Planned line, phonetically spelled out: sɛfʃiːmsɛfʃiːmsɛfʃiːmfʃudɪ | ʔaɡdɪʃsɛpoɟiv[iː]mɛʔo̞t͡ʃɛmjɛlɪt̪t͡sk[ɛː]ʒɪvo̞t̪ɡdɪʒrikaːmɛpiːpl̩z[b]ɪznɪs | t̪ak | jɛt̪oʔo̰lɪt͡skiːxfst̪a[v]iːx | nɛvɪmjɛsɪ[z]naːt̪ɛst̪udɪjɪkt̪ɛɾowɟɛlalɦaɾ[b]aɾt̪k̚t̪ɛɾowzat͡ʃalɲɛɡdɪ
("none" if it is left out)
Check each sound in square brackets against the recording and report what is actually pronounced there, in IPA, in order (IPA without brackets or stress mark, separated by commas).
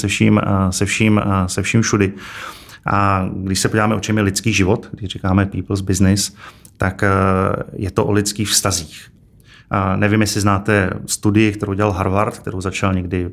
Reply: aː, iː, b, z, z, v